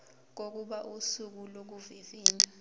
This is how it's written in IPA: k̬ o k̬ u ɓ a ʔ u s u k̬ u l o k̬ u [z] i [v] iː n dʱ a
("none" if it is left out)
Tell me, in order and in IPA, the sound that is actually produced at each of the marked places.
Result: v, v

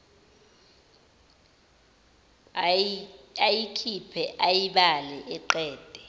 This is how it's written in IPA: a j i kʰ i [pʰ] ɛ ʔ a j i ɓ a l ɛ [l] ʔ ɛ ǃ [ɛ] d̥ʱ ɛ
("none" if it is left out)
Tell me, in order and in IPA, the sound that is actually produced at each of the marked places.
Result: pʰ, none, ɛː

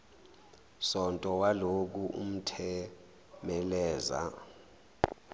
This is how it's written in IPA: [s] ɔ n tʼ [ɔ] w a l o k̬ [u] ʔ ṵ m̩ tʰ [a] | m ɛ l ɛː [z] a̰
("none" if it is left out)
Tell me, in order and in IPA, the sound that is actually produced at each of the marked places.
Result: s, ɔ, u, ɛ, z

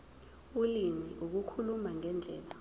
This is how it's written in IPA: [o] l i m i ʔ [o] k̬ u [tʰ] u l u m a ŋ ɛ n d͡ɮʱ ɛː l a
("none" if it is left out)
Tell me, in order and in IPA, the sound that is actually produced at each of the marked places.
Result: u, u, kʰ

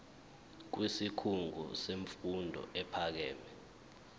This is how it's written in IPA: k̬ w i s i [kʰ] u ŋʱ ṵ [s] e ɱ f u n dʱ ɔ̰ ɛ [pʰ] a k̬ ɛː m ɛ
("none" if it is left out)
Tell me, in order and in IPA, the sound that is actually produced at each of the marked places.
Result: kʰ, s, pʰ

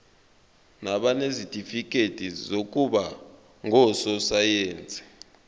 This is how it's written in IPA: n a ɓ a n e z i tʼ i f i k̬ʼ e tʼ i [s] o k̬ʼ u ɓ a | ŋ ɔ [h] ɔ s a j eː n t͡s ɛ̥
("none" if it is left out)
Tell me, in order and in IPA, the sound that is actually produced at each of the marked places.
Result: z, s

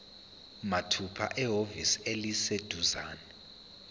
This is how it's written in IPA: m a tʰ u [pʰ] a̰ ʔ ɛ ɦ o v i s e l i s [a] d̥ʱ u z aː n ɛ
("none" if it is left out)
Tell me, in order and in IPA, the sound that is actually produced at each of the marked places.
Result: pʰ, e

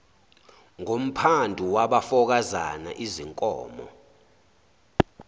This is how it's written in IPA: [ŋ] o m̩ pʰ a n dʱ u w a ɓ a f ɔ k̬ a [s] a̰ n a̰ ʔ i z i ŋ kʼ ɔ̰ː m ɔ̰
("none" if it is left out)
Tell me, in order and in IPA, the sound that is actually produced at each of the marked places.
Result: ŋ, z

